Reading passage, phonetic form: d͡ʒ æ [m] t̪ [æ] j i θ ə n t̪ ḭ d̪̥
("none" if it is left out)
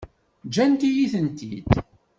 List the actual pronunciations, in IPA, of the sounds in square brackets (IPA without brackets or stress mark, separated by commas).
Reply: n, i